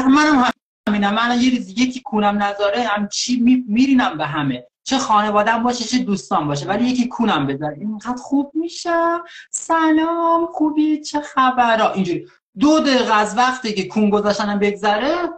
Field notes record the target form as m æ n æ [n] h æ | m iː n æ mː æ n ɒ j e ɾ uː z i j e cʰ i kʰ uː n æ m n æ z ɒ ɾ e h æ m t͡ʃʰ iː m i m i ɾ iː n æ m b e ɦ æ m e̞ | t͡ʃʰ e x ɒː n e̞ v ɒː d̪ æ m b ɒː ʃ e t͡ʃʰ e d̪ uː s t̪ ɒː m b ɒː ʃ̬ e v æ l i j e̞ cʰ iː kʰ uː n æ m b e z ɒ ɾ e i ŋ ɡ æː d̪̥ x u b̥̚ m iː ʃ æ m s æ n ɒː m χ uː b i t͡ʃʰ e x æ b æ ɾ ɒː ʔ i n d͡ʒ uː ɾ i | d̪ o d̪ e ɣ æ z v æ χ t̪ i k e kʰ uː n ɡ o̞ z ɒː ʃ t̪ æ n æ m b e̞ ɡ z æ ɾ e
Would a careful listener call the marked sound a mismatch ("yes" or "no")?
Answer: yes